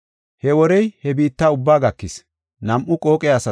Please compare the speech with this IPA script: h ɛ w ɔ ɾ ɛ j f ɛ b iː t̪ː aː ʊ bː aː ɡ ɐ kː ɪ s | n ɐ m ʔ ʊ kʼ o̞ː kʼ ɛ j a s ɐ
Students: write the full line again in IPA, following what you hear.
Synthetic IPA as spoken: h ɛ w ɔ ɾ ɛ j h ɛ b iː t̪ː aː ʊ bː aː ɡ ɐ kː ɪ s | n ɐ m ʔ ʊ kʼ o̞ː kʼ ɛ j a s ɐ